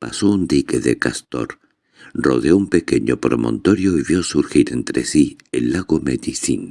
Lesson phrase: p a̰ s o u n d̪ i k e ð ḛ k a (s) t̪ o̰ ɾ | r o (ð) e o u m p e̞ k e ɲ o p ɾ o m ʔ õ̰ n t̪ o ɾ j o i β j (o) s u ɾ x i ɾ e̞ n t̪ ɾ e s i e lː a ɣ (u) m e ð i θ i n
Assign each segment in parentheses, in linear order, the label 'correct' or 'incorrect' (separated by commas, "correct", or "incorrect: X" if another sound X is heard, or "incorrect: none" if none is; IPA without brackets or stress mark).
correct, correct, correct, incorrect: o